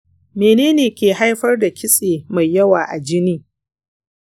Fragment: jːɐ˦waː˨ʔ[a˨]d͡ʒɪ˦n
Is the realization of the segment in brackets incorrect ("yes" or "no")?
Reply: no